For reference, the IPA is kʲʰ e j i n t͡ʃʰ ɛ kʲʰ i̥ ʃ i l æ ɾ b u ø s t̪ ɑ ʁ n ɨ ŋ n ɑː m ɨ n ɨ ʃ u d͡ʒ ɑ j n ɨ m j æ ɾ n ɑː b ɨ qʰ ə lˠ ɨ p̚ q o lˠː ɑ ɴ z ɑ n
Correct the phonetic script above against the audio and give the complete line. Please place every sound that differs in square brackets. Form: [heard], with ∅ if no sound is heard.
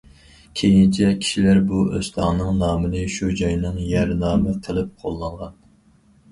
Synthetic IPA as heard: kʲʰ e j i n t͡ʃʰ ɛ kʲʰ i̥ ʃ i l æ ɾ b u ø s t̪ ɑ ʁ n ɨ ŋ n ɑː m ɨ n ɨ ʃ u d͡ʒ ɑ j n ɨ [ŋ] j æ ɾ n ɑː [m] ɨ qʰ ə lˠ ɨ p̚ [qʰ] o lˠː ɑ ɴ [ʁ] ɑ n